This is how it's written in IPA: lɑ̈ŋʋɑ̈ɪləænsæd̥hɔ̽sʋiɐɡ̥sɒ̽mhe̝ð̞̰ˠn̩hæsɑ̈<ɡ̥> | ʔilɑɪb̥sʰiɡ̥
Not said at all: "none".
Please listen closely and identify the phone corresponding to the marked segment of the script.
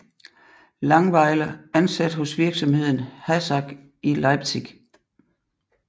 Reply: ɡ̥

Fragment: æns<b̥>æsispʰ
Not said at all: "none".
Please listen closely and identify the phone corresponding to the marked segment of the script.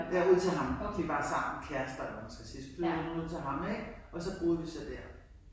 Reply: ɡ̥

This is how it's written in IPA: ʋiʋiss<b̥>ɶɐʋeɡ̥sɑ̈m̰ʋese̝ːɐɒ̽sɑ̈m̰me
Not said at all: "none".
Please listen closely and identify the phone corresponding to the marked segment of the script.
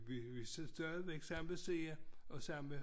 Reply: d̥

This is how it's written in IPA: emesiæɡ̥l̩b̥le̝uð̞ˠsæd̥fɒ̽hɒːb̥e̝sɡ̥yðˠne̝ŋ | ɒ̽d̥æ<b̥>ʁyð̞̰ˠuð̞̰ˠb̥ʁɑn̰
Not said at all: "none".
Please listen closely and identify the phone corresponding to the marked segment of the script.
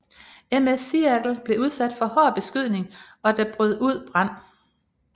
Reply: b̥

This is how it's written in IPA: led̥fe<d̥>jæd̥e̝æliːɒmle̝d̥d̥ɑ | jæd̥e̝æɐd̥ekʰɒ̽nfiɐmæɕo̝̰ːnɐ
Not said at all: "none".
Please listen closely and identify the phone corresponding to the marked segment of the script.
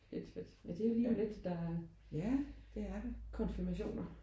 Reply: d̥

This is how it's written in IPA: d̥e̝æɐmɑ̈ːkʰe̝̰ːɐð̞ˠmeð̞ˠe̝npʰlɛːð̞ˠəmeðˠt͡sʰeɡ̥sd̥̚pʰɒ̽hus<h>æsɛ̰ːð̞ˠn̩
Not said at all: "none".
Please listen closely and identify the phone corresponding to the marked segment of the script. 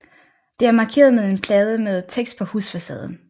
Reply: f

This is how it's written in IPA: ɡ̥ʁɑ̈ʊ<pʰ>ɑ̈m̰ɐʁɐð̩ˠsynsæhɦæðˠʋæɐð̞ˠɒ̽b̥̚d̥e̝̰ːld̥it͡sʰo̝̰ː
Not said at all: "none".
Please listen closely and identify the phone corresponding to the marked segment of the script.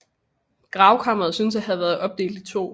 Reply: kʰ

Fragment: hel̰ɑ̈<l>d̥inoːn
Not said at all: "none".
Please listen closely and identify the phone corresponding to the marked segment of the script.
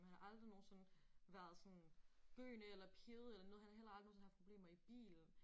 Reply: l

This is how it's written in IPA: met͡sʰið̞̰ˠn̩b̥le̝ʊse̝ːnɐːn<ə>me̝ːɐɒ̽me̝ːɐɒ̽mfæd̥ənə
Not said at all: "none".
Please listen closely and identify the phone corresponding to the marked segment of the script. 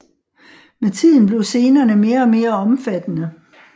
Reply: ə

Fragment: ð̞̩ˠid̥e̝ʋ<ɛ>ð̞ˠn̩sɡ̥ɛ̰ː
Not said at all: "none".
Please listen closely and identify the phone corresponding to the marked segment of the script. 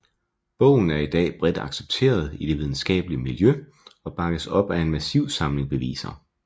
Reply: i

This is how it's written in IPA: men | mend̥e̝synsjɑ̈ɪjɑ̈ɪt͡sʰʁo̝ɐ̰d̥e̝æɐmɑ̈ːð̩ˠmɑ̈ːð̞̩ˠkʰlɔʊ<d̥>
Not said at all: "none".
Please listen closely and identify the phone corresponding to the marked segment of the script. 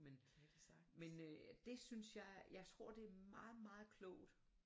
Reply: d̥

